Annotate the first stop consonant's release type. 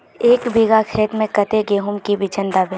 plain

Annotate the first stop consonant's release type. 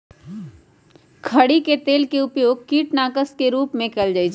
aspirated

